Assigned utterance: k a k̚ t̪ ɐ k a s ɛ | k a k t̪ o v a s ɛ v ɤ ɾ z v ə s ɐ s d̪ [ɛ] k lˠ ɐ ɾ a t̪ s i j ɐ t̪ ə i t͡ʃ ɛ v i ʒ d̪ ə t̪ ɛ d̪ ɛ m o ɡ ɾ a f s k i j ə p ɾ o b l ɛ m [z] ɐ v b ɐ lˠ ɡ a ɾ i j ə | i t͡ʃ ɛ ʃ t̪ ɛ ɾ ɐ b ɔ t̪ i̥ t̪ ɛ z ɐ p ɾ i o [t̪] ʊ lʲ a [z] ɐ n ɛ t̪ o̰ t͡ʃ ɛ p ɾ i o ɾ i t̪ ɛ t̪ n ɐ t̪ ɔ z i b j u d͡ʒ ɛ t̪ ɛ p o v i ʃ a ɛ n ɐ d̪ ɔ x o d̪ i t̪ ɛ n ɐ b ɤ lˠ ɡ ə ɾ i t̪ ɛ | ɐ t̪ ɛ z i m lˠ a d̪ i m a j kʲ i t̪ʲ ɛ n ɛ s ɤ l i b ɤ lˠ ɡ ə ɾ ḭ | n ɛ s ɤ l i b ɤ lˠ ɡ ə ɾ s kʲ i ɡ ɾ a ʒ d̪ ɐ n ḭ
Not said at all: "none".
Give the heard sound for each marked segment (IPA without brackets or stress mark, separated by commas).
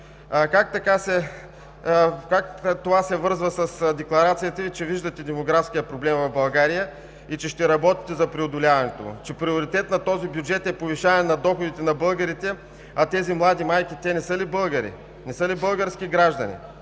ɛ, v, d̪, v